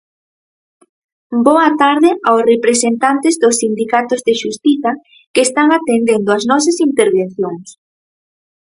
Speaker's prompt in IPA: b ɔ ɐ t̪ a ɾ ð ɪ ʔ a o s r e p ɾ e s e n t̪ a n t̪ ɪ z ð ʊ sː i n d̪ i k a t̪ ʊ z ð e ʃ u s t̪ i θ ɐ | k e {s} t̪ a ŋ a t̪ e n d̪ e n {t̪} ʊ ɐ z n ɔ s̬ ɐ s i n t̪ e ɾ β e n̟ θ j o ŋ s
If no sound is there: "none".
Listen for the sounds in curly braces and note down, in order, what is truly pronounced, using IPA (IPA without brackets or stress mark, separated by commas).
s, d̪